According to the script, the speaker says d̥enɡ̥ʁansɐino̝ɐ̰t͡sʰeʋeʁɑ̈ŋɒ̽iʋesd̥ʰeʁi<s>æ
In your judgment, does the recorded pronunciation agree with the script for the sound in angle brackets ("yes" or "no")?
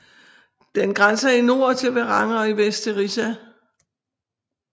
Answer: yes